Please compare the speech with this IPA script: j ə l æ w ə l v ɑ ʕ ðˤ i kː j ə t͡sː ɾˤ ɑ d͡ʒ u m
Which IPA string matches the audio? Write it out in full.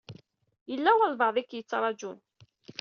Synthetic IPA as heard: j ə lː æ w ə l v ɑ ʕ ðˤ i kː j ə t͡sː ɾˤ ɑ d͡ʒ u n